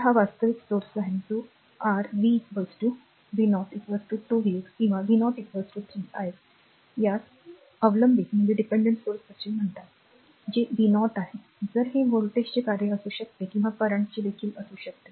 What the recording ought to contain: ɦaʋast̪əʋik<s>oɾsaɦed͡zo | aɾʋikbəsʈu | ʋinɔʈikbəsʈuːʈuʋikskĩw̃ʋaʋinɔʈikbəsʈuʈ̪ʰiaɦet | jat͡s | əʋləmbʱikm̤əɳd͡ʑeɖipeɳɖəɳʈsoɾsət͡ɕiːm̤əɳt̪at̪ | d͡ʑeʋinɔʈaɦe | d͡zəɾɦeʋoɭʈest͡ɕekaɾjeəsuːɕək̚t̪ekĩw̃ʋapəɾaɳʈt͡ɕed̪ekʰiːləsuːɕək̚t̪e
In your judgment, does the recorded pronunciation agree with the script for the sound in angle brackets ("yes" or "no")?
yes